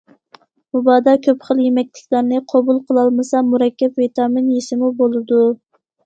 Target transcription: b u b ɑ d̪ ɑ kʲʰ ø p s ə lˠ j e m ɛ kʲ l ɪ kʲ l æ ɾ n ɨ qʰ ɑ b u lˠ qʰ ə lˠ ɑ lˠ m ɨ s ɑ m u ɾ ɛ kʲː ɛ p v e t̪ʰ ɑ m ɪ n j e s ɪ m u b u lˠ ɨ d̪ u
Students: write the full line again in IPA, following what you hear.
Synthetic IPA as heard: m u b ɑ d̪ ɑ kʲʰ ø p χ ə lˠ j e m ɛ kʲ l ɪ kʲ l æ ɾ n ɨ qʰ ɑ b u lˠ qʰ ə lˠ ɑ lˠ m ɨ s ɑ m u ɾ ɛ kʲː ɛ p v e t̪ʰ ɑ m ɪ n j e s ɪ m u b o lˠ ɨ d̪ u

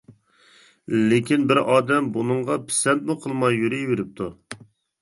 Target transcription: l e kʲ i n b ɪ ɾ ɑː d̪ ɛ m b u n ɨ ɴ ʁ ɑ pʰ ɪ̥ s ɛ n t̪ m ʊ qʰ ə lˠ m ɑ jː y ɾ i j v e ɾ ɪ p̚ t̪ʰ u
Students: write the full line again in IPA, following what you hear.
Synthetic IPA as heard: l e kʲ i n b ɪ ɾ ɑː d̪ ɛ m b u n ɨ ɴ ʁ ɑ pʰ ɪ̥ s ɛ n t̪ m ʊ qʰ ə lˠ m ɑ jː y ɾ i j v e ɾ ɪ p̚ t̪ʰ u

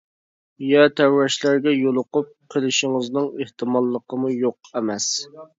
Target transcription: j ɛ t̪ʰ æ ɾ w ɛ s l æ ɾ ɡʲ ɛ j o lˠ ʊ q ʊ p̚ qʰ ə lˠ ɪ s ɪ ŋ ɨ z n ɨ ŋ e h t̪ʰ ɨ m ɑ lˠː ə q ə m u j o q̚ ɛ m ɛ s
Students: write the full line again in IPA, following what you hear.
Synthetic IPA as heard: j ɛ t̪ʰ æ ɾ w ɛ ʃ l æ ɾ ɡʲ ɛ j o lˠ ʊ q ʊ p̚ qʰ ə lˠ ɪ ʃ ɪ ŋ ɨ z n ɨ ŋ e h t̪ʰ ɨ m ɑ lˠː ə q ə m u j o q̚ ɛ m ɛ s

